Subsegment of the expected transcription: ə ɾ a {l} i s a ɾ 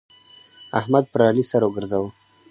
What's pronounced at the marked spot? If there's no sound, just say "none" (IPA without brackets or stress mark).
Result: l